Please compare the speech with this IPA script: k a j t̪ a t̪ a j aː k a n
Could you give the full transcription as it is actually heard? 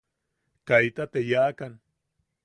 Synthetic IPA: k a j t̪ a t̪ e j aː k a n